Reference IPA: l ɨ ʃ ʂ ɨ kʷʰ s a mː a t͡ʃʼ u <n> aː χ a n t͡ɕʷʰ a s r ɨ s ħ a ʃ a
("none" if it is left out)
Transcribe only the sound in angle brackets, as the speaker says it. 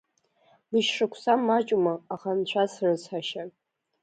m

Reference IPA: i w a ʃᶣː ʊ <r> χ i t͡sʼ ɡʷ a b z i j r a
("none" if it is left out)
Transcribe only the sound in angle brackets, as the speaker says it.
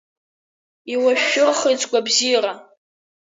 r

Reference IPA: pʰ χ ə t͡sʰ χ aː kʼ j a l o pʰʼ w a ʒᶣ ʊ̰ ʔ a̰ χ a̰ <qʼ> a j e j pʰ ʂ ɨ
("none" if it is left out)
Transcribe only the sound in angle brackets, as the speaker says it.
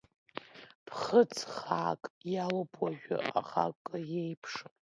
kʼ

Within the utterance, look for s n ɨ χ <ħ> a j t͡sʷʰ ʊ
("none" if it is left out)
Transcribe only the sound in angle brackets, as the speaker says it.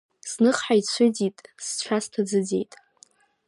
ħ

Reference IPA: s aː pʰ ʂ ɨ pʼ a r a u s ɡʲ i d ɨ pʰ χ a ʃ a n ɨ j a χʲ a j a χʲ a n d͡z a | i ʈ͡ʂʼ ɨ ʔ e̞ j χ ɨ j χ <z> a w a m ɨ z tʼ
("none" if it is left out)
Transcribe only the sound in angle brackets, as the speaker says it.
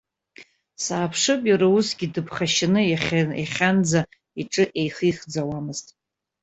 d͡z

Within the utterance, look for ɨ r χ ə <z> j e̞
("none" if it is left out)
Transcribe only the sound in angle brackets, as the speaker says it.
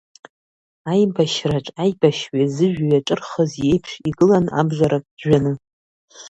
z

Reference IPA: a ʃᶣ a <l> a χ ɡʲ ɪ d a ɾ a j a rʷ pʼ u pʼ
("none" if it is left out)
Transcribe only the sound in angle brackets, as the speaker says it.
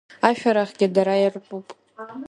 ɾ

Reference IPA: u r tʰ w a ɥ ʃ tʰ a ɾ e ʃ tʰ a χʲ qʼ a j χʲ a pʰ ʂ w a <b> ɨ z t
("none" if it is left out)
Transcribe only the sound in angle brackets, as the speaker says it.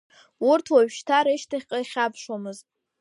m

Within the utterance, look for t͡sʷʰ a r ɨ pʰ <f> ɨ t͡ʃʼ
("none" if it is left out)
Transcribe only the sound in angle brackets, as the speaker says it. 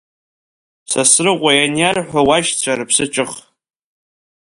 s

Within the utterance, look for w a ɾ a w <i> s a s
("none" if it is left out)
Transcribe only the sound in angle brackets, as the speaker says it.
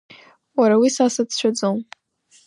i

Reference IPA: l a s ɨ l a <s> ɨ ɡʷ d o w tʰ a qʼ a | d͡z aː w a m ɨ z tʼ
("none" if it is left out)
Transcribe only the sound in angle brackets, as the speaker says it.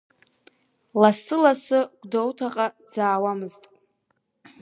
s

